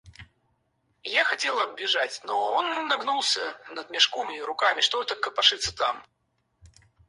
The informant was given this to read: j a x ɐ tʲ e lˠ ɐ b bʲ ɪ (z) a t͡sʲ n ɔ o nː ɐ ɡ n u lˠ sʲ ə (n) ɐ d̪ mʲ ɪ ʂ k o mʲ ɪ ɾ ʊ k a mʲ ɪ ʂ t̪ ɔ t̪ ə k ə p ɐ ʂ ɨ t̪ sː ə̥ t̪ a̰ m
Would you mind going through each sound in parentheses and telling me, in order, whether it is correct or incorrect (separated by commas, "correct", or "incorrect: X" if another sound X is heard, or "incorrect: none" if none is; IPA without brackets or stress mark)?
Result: incorrect: ʐ, correct